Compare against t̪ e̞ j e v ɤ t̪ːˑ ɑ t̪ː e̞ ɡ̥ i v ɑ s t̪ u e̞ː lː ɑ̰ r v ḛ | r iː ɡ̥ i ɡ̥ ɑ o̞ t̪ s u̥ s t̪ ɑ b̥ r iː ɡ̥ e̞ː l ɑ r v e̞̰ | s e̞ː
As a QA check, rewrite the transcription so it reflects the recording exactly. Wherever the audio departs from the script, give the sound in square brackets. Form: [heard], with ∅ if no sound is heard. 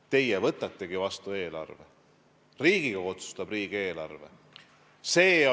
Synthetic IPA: t̪ e̞ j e v ɤ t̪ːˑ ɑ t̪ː e̞ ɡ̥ i v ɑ s t̪ u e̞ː [l] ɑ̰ r v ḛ | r iː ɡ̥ i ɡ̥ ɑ o̞ t̪ s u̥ s t̪ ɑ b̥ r iː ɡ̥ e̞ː l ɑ r v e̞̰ | s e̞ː